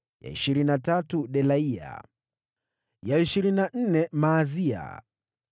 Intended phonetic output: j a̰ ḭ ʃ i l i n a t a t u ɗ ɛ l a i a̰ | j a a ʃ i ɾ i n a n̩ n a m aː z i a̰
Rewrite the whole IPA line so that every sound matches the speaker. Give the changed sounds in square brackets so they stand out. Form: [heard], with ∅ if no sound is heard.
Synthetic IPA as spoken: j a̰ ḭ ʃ i [ɾ] i n a t a t u ɗ ɛ l a i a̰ | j a [i] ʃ i ɾ i n a n̩ n [ɛ] m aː z i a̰

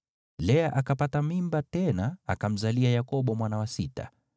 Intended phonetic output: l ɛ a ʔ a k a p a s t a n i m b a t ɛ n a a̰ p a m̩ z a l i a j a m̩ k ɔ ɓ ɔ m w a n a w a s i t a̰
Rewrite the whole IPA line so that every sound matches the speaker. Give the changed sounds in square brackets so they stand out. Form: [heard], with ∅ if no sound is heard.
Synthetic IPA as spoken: l ɛ a ʔ a k a p a [∅] t a [m] i m b a t ɛ n a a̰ [k] a m̩ z a l i a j a [∅] k ɔ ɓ ɔ m w a n a w a s i t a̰

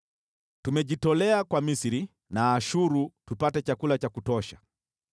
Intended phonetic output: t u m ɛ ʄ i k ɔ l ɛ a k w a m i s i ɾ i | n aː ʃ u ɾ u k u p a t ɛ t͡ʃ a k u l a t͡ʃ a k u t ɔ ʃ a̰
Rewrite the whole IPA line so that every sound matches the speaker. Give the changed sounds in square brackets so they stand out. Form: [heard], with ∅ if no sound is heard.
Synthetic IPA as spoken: t u m ɛ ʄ i [t] ɔ l ɛ a k w a m i s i ɾ i | n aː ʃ u ɾ u [t] u p a t ɛ t͡ʃ a k u l a t͡ʃ a k u t ɔ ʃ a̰

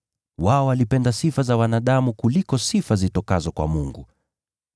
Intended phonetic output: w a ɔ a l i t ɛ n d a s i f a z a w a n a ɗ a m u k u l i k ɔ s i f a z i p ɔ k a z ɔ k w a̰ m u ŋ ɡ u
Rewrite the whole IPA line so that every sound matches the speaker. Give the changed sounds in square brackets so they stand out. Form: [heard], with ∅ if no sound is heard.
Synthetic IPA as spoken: w a ɔ a l i [p] ɛ n d a s i f a z a w a n a ɗ a m u k u l i k ɔ s i f a z i [t] ɔ k a z ɔ k w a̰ m u ŋ ɡ u

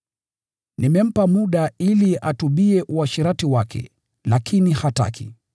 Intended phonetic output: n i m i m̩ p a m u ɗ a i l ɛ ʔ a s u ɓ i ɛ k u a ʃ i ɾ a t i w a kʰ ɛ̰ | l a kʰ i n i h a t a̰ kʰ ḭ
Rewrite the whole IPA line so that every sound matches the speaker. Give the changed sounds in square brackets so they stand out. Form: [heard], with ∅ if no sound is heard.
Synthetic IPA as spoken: n i m [ɛ] m̩ p a m u ɗ a i l [i] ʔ a [t] u ɓ i ɛ [ʔ] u a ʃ i ɾ a t i w a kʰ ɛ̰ | l a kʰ i n i h a t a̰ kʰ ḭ

